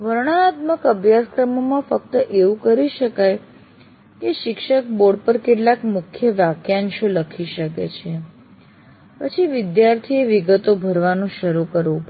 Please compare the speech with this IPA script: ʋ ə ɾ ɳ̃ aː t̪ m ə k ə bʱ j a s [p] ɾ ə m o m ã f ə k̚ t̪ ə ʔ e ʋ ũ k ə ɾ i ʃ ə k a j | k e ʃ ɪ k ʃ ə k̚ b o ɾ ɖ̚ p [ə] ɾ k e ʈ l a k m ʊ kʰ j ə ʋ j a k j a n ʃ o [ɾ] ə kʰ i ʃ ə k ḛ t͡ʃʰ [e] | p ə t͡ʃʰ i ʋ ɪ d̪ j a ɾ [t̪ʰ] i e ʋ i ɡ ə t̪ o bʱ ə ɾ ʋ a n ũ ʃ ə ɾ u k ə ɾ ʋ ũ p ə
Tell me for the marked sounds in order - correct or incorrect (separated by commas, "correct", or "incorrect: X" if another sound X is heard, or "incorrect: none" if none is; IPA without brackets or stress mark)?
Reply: incorrect: k, correct, incorrect: l, correct, correct